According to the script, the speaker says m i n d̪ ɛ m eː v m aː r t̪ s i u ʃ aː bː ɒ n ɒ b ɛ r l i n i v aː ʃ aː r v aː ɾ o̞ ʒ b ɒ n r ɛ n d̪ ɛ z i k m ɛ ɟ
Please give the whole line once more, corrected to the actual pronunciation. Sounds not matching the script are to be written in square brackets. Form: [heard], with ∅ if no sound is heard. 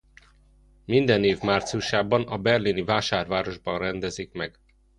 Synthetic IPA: m i n d̪ ɛ [n] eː v m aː r t̪ s i u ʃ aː [b] ɒ n ɒ b ɛ r l i n i v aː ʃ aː r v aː ɾ o̞ ʒ b ɒ n r ɛ n d̪ ɛ z i k m ɛ [ɡ]